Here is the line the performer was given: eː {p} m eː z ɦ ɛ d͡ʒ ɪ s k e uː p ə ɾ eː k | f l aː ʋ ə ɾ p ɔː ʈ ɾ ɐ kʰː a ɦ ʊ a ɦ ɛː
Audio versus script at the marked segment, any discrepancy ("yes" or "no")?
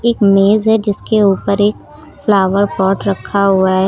yes